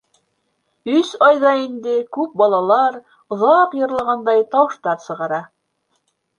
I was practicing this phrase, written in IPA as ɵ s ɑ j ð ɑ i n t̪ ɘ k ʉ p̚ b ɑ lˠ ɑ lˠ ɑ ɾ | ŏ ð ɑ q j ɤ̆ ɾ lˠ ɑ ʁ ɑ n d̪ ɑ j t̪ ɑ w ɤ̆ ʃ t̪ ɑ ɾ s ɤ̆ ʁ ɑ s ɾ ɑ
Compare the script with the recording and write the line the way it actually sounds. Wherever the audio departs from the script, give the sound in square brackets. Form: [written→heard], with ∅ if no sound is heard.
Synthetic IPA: ɵ s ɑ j ð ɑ i n [t̪→d̪] ɘ k ʉ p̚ b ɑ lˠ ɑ lˠ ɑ ɾ | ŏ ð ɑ q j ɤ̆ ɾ lˠ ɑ ʁ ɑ n d̪ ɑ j t̪ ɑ w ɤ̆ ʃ t̪ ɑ ɾ s ɤ̆ ʁ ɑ [s→∅] ɾ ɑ